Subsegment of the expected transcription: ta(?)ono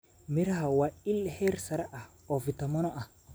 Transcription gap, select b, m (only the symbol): m